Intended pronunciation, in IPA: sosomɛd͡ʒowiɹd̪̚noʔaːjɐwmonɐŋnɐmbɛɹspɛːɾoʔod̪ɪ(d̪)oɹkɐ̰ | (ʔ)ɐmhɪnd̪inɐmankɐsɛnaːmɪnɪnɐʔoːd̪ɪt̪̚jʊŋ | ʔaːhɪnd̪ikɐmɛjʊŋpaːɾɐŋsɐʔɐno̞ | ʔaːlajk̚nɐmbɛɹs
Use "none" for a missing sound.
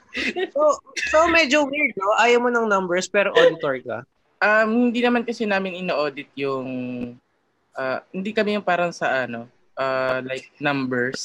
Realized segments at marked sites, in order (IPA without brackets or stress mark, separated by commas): t̪, ʔ